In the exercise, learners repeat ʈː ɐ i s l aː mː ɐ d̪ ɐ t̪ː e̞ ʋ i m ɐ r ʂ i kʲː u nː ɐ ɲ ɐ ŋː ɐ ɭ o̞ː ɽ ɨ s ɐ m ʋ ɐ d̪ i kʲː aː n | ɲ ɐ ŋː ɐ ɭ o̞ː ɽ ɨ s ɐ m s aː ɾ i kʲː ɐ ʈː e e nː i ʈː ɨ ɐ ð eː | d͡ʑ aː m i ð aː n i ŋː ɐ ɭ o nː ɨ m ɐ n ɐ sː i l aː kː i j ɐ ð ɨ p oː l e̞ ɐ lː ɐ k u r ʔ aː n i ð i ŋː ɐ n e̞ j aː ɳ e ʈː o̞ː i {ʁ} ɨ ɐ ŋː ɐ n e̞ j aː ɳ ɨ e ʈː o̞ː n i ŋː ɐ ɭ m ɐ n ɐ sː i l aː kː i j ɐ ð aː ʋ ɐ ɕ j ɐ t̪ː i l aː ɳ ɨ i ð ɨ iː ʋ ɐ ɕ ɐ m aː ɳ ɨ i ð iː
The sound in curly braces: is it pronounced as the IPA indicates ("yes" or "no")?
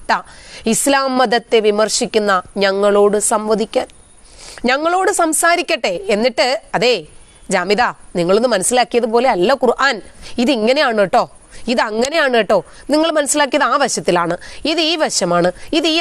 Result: no